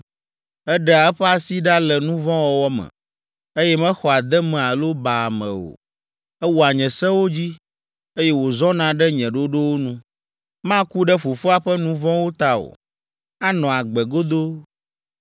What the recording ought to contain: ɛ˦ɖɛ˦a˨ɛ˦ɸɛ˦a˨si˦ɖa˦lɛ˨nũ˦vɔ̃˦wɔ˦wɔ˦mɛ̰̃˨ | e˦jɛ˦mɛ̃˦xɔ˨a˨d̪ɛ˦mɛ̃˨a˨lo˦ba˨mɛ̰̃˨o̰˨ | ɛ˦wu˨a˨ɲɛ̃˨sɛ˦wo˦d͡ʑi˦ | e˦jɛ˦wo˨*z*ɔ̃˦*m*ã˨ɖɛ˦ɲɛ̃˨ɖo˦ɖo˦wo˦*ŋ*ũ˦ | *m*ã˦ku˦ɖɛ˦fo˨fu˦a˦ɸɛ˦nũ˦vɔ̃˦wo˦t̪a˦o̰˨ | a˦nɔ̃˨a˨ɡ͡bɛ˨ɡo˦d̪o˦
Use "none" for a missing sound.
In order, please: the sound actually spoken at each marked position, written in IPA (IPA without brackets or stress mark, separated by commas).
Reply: z, n, n, m